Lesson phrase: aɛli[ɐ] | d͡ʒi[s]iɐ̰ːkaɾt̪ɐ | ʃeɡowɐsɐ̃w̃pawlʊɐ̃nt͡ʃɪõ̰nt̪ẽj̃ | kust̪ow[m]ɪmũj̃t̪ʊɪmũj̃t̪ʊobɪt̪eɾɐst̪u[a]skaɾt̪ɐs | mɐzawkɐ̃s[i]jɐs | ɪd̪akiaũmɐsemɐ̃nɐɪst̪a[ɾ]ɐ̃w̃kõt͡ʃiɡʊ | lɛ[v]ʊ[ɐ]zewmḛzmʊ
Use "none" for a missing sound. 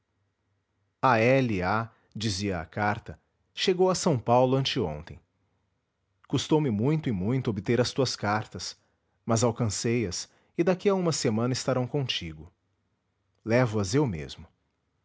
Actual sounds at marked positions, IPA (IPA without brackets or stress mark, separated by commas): a, z, m, ɐ, e, ɾ, v, ɐ